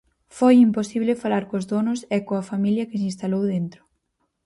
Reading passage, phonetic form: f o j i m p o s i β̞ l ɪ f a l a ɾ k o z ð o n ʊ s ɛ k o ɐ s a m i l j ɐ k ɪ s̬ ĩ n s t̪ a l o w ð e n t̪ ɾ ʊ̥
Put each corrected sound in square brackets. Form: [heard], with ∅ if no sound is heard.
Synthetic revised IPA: f o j i m p o s i β̞ l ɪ f a l a ɾ k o z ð o n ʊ s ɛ k o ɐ [f] a m i l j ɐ k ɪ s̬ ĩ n s t̪ a l o w ð e n t̪ ɾ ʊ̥